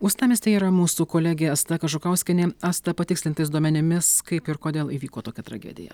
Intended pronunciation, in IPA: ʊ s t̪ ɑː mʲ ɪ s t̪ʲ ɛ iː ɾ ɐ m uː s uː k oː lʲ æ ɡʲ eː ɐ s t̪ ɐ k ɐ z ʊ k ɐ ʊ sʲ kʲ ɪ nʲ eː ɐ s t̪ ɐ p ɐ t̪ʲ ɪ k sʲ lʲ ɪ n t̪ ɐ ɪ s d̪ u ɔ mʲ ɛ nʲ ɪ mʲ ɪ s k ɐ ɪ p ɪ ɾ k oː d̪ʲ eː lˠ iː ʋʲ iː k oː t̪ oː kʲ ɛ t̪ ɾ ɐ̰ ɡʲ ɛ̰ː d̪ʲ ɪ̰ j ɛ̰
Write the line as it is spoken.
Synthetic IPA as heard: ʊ s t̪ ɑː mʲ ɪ s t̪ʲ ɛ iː ɾ ɐ m uː s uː k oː lʲ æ ɡʲ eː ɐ s t̪ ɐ k ɐ ʒ ʊ k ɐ ʊ sʲ kʲ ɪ nʲ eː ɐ s t̪ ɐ p ɐ t̪ʲ ɪ k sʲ lʲ ɪ n t̪ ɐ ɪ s d̪ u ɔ mʲ ɛ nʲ ɪ mʲ ɪ s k ɐ ɪ p ɪ ɾ k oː d̪ʲ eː lˠ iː ʋʲ iː k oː t̪ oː kʲ ɛ t̪ ɾ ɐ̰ ɡʲ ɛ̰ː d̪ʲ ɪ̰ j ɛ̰